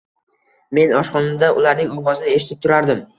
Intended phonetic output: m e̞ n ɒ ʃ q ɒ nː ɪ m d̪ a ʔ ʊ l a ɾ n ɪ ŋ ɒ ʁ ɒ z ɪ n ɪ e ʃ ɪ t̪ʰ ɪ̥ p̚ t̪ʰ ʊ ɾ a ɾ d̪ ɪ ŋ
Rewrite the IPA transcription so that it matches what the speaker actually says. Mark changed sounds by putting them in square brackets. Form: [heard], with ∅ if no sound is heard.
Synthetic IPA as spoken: m e̞ n ɒ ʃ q ɒ [n] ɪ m d̪ a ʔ ʊ l a ɾ n ɪ ŋ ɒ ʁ ɒ z ɪ n ɪ e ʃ ɪ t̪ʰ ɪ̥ p̚ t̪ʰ ʊ ɾ a ɾ d̪ ɪ [m]